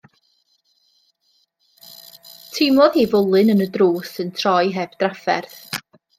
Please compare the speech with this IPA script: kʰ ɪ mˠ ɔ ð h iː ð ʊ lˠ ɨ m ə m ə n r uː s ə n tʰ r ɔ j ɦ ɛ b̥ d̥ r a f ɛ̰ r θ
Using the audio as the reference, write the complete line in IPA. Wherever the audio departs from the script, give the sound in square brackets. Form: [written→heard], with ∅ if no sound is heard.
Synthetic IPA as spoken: [kʰ→tʰ] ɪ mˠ ɔ ð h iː [ð→v] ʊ lˠ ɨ [m→n] ə [m→n] ə [n→d] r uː s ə n tʰ r ɔ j ɦ ɛ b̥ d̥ r a f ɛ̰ r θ